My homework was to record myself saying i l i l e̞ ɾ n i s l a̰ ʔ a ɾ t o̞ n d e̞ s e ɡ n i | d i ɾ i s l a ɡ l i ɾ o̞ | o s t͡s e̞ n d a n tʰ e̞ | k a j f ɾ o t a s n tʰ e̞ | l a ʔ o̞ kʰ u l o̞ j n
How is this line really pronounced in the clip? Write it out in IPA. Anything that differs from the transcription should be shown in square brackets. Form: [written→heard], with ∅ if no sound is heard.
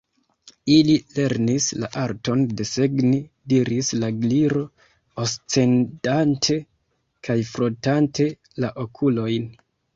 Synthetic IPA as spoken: i l i l e̞ ɾ n i s l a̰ ʔ a ɾ t o̞ n d e̞ s e ɡ n i | d i ɾ i s l a ɡ l i ɾ o̞ | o s t͡s e̞ n d a n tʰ e̞ | k a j f ɾ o t a [s→∅] n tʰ e̞ | l a ʔ o̞ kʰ u l o̞ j n